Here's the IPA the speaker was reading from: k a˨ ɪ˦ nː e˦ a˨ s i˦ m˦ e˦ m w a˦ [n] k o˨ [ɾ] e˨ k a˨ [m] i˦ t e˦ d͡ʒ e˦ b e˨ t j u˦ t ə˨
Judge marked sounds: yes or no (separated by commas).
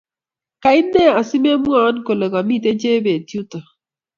yes, no, yes